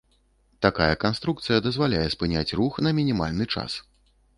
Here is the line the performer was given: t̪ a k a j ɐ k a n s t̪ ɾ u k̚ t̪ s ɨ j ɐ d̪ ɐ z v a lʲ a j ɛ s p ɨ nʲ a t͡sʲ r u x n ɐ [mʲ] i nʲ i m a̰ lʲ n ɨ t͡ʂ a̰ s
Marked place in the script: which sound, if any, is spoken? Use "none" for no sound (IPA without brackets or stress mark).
mʲ